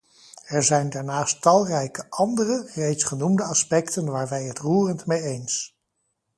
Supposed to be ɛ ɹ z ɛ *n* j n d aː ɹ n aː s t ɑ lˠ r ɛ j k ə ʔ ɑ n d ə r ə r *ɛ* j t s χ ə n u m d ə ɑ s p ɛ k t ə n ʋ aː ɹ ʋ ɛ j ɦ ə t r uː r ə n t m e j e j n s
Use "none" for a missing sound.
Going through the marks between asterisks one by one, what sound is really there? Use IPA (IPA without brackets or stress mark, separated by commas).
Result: none, e